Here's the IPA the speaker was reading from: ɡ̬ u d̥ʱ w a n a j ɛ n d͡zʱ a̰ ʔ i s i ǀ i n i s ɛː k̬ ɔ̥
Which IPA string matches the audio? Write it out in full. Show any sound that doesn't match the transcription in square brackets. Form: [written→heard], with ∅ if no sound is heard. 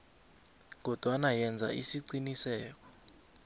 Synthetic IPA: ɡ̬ [u→ɔ] d̥ʱ w a n a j ɛ n d͡zʱ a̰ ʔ i s i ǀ i n i s ɛː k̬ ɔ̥